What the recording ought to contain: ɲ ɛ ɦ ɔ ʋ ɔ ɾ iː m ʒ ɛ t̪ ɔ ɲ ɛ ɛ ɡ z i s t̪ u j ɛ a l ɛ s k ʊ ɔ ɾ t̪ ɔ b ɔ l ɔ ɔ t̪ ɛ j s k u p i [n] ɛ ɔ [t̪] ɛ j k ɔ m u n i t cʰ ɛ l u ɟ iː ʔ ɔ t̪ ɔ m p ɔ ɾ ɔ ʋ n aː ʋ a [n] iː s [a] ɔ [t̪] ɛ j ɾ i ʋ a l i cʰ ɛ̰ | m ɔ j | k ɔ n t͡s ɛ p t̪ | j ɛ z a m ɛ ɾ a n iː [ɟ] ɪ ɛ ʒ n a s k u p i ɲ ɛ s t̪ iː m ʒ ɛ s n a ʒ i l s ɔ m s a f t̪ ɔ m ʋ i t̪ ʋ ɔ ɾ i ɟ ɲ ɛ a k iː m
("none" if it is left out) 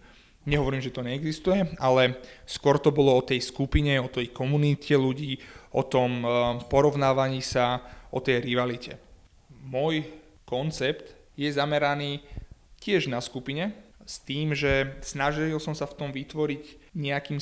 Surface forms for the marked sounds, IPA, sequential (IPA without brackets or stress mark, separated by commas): ɲ, t̪, ɲ, a, t̪, c